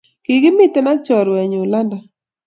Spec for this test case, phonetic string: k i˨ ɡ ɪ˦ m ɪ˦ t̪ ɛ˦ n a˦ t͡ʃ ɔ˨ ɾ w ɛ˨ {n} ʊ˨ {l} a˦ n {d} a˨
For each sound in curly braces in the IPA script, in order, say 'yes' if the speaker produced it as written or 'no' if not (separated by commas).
no, yes, yes